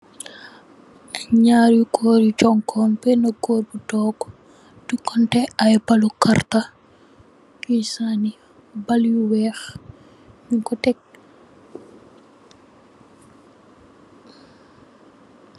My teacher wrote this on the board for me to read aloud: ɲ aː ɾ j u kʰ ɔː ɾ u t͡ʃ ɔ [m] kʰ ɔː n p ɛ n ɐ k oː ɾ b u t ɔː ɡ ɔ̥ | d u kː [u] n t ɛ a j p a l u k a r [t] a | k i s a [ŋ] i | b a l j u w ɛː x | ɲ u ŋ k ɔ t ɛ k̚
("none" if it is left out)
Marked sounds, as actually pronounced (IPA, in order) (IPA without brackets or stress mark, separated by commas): ŋ, ɔ, t, n